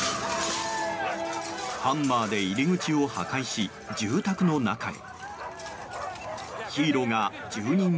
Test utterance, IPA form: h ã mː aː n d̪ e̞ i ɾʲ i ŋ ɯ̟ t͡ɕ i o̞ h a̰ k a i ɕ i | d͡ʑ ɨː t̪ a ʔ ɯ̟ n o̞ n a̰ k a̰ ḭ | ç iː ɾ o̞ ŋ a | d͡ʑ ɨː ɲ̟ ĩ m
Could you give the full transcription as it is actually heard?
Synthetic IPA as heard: h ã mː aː d̪ e̞ i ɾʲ i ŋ ɯ̟ t͡ɕ i o̞ h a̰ k a i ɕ i | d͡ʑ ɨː t̪ a k ɯ̟ n o̞ n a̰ k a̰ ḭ | ç iː ɾ o̞ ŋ a | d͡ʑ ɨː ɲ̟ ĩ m